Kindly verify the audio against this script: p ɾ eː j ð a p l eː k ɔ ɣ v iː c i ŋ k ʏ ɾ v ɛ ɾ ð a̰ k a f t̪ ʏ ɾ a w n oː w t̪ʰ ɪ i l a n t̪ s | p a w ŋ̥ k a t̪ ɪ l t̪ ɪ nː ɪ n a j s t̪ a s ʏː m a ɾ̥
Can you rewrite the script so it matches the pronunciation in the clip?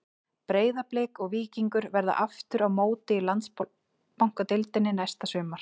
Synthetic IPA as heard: p ɾ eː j ð a p l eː k ɔ ɣ v iː c i ŋ k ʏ ɾ v ɛ ɾ ð a̰ ʔ a f t̪ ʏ ɾ a w m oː w t̪ ɪ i l a n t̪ s | p a w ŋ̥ k a t̪ ɪ l t̪ ɪ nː ɪ n a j s t̪ a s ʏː m a ɾ̥

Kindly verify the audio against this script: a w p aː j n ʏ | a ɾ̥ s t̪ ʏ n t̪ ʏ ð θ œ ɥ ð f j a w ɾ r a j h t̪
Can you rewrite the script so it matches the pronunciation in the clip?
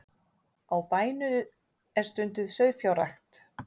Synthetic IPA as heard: a w p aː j n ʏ | ɛ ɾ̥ s t̪ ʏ n t̪ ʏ ð s œ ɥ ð f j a w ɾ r a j x t̪

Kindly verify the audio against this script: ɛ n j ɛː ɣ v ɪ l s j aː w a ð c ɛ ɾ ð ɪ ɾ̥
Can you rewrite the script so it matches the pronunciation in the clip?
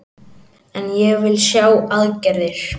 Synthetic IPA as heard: ɛ n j ɛ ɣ v ɪ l s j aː w a ð c ɛ ɾ ð ɪ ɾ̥

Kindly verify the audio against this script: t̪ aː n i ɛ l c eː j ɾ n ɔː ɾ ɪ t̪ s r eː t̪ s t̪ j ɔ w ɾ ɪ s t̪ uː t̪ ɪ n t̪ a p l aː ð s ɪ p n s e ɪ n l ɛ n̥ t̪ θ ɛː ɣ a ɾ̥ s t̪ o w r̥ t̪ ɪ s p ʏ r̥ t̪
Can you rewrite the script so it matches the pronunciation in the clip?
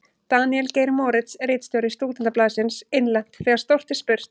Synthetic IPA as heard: t̪ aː n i ɛ l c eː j ɾ m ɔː ɾ ɪ t̪ s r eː t̪ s t̪ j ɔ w ɾ ɪ s t̪ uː t̪ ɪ n t̪ a p l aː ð s ɪ n s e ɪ n l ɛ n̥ t̪ θ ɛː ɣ a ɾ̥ s t̪ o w r̥ t̪ ɪ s p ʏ r̥ t̪

